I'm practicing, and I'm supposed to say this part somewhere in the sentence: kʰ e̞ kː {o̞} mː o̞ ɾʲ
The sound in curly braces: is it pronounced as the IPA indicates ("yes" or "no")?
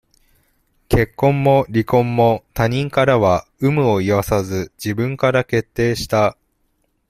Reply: no